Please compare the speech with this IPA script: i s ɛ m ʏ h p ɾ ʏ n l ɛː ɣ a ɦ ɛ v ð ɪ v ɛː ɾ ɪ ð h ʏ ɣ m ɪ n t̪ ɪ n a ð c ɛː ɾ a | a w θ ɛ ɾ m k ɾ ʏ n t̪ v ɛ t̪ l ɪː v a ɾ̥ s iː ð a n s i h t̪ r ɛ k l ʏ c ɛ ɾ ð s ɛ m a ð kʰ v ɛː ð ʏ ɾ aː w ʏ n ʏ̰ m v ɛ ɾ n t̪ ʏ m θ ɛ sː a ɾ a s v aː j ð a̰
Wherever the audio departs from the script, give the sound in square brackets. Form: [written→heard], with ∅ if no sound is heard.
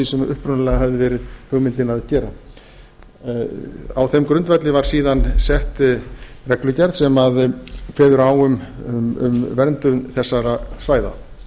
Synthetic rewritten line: i s ɛ m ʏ h p ɾ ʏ n l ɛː ɣ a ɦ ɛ v ð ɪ v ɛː ɾ ɪ ð h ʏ ɣ m ɪ n t̪ ɪ n a ð c ɛː ɾ a | a w θ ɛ [ɾ→∅] m k ɾ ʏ n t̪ v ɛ t̪ l [ɪː→ɪ] v a ɾ̥ s iː ð a n s [i→ɛ] h t̪ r ɛ k l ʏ c ɛ ɾ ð s ɛ m a ð kʰ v ɛː ð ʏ ɾ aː w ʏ [n→m] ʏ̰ m v ɛ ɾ n t̪ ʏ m θ ɛ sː a ɾ a s v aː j ð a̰